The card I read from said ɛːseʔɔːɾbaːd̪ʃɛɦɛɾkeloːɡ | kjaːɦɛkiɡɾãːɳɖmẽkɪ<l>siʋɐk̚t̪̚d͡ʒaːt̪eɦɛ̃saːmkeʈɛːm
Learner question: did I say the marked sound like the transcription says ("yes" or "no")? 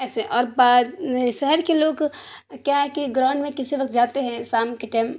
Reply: no